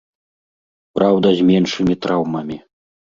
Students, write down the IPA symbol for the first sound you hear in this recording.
p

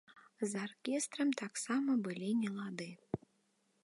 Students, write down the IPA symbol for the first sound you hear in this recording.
z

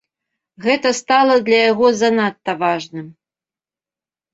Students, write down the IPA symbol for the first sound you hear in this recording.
ɣ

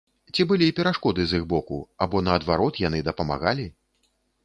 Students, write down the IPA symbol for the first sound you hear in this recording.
t͡sʲ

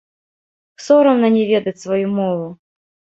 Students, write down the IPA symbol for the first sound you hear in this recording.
s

